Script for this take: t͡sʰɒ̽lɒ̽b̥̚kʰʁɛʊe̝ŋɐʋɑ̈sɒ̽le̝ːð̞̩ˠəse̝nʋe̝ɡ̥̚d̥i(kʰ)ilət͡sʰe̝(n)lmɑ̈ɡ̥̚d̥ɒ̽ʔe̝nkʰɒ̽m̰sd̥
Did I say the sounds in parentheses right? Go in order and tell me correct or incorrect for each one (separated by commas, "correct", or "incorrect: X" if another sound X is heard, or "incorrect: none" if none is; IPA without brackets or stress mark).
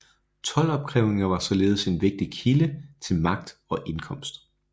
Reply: correct, incorrect: none